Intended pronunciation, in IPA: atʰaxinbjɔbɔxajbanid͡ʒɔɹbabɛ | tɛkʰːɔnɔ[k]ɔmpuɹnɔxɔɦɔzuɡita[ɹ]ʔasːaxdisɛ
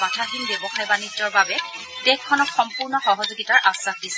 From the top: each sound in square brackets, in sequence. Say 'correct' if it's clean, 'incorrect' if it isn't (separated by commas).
incorrect, correct